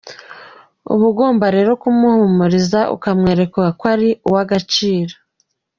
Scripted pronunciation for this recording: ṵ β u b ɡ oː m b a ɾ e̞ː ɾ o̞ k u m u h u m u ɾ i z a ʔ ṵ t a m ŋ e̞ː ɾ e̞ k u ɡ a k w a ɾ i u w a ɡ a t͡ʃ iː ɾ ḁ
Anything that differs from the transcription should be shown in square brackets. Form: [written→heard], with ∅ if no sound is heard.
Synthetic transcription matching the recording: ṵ β u [b→∅] ɡ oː m b a ɾ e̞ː ɾ o̞ k u m u h u m u ɾ i z a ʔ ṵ [t→k] a m ŋ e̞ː ɾ e̞ k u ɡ a k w a ɾ i u w a ɡ a t͡ʃ iː ɾ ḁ